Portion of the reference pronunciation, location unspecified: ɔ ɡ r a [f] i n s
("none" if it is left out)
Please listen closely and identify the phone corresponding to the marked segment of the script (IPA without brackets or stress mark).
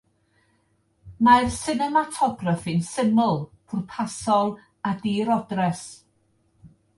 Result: f